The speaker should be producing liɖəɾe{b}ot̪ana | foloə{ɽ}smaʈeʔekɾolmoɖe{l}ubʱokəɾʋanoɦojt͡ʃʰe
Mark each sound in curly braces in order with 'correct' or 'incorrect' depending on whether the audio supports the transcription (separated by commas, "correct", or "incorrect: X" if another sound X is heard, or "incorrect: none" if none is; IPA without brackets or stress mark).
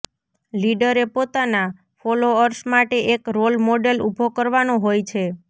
incorrect: p, incorrect: ɾ, correct